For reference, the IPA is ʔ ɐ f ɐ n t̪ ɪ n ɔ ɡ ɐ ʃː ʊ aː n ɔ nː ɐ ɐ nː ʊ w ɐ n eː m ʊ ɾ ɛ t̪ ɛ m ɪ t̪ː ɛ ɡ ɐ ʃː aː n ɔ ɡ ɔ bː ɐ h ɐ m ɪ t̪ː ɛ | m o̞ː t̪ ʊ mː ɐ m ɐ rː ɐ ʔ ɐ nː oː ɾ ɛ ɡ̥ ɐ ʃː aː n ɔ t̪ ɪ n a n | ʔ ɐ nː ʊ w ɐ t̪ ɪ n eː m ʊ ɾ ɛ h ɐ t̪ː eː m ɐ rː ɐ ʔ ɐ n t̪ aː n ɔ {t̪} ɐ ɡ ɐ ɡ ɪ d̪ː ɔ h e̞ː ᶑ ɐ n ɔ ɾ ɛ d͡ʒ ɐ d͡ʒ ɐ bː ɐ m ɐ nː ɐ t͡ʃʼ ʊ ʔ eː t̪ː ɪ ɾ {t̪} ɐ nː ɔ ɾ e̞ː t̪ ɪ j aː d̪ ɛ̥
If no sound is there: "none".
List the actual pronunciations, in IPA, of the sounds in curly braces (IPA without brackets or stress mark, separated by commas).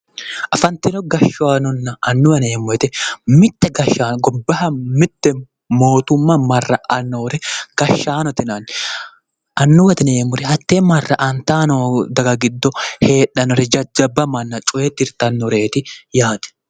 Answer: d̪, t̪